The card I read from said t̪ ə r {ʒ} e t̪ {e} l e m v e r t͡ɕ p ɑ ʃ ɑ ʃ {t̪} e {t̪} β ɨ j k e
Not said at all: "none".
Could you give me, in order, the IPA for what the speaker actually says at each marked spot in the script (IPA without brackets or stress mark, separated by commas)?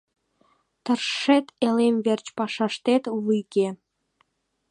ʃ, e, t̪, t̪